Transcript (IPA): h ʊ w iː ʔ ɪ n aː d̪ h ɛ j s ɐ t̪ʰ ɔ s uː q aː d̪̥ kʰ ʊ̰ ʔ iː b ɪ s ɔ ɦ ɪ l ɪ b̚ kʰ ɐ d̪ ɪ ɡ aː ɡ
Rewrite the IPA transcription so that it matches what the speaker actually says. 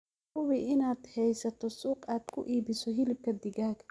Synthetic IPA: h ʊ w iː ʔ ɪ n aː d̪ h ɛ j s ɐ t̪ʰ ɔ s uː q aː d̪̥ kʰ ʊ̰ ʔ iː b ɪ s ɔ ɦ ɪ l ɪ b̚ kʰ ɐ d̪ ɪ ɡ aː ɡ